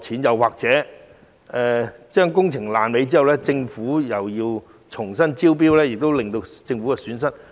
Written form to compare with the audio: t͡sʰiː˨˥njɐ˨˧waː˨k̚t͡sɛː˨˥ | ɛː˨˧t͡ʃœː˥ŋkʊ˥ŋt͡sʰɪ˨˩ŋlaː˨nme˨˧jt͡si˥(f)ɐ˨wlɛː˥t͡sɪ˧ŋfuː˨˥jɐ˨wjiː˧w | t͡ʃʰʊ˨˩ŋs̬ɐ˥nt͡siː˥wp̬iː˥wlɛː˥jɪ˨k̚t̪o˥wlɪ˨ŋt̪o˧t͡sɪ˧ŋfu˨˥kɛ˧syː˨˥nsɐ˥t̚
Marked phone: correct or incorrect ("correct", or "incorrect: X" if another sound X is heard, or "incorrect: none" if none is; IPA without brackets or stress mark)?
incorrect: none